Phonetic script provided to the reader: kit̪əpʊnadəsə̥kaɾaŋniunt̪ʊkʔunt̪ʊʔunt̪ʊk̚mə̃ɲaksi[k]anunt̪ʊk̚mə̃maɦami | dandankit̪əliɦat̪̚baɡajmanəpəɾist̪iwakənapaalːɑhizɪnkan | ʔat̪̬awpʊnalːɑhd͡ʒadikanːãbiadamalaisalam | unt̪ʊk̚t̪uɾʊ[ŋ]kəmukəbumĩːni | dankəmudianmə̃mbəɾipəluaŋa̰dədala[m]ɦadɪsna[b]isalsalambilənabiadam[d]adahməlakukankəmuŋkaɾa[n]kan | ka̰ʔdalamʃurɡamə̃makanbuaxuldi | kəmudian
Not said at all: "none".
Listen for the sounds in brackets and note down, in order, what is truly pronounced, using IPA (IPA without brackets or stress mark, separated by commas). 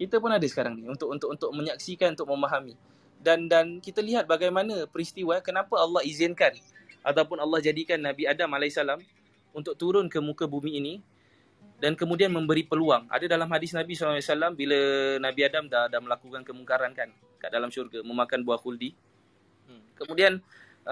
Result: k, n, m, b, d, n